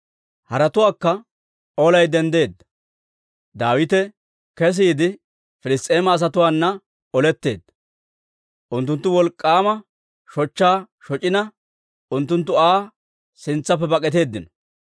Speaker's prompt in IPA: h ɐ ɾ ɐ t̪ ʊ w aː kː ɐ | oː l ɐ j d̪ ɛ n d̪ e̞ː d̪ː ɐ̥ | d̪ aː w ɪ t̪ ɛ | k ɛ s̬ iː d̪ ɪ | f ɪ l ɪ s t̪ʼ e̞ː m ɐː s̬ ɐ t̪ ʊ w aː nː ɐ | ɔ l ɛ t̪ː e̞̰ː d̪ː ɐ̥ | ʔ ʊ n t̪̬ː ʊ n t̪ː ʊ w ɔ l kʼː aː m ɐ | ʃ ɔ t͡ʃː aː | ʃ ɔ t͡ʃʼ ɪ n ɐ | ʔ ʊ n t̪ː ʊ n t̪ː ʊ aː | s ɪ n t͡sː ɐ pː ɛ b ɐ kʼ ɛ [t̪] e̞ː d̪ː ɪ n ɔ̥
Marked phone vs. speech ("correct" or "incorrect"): correct